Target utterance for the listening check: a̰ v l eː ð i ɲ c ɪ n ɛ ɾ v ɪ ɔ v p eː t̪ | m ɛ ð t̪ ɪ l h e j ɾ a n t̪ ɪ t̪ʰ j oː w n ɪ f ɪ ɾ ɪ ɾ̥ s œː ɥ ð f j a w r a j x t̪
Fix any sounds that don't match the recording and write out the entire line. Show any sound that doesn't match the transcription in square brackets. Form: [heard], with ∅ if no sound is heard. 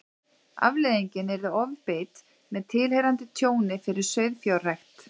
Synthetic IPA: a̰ v l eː ð i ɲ c ɪ n ɛ ɾ [ð] ɪ ɔ v p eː t̪ | m ɛ ð [t̪ʰ] ɪ l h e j ɾ a n t̪ ɪ t̪ʰ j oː w n ɪ f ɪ ɾ ɪ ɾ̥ s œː ɥ ð f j a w r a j x t̪